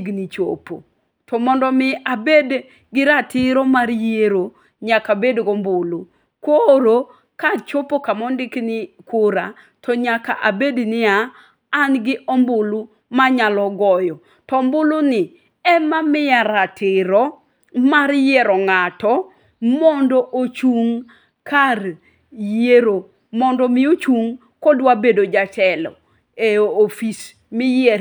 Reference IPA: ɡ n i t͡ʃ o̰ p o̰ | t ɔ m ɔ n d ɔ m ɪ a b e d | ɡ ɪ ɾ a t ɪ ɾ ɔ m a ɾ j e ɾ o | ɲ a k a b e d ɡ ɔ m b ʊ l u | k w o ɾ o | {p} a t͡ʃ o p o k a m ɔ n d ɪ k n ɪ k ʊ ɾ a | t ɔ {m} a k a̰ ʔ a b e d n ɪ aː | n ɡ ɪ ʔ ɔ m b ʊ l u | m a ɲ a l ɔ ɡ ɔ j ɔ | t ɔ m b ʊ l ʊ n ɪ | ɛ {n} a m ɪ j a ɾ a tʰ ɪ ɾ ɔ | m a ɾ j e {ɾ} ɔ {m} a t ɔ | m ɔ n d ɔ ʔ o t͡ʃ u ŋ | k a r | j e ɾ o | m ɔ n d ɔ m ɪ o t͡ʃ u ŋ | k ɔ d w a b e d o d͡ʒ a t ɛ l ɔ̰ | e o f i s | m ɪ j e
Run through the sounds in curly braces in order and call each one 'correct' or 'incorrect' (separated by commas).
incorrect, incorrect, incorrect, correct, incorrect